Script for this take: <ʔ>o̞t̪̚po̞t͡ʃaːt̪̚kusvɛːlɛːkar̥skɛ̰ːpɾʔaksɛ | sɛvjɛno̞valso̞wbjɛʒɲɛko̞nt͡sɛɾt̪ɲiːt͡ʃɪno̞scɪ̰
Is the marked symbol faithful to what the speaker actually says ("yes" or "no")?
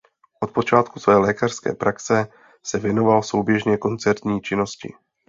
yes